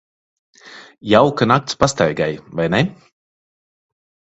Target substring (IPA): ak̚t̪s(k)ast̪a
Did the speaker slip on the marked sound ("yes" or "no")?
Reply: yes